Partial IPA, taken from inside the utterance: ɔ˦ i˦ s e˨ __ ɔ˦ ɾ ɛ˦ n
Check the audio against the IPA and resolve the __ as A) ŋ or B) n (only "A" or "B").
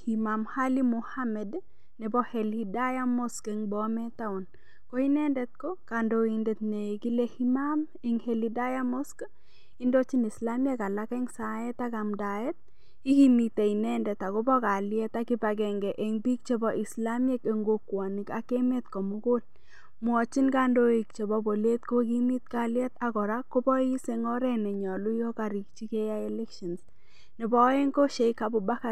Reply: A